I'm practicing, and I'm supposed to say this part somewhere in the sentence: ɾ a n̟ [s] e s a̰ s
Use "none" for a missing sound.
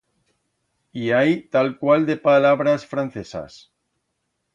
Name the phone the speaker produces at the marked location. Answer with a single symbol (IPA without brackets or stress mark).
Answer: θ